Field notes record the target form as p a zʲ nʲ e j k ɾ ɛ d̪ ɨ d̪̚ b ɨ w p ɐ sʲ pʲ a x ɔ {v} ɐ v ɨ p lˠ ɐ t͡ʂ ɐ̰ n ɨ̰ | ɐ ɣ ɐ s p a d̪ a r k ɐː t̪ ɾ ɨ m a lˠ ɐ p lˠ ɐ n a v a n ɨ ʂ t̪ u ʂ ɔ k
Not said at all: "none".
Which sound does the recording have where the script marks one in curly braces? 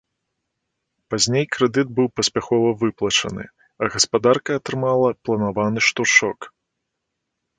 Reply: v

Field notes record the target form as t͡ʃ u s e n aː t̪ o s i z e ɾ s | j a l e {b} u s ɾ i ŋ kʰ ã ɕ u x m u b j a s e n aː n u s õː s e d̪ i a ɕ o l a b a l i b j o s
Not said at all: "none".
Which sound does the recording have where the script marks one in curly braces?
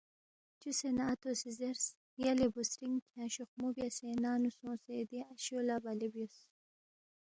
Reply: b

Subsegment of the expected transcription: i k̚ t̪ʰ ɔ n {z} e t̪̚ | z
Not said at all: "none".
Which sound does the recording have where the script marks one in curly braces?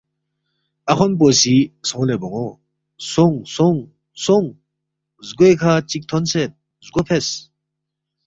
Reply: s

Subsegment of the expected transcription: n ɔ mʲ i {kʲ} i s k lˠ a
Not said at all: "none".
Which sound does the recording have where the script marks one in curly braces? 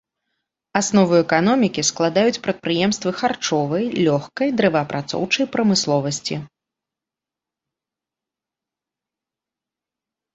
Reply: kʲ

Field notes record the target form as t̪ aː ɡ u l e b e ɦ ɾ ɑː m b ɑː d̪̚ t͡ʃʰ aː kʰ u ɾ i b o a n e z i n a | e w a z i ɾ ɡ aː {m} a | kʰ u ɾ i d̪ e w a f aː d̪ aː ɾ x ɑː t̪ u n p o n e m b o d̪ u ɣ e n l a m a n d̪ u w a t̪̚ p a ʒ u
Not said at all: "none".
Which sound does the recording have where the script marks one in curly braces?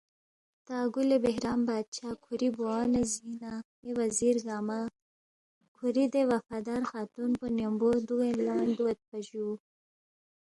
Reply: m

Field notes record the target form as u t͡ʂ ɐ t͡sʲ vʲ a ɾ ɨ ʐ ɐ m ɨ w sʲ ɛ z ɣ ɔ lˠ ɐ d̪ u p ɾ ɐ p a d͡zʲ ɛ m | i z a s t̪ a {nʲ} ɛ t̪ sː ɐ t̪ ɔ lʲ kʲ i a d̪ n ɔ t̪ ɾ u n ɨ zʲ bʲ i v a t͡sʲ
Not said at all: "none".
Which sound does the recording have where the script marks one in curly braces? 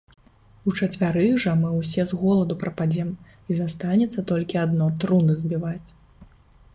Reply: nʲ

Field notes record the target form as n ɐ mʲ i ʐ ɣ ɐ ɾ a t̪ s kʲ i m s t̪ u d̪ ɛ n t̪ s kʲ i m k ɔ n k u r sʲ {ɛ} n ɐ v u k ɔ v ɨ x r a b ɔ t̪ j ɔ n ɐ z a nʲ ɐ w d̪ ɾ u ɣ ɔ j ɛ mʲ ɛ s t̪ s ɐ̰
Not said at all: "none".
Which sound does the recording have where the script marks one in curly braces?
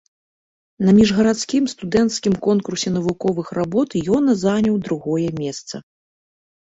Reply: ɛ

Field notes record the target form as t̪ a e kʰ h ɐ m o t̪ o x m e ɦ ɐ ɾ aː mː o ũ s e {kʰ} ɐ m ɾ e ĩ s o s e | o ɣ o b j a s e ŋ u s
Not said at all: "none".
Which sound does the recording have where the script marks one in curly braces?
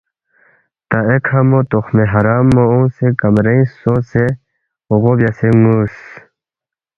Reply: k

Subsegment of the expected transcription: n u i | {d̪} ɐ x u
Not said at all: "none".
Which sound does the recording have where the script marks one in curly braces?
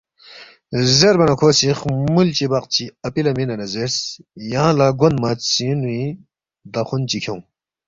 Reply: d̪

